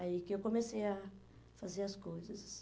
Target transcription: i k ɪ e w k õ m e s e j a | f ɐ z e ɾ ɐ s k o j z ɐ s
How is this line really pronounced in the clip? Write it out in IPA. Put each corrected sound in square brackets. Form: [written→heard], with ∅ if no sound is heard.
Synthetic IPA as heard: i k ɪ e w k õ m e s e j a | f [ɐ→a] z e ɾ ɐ s k o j z ɐ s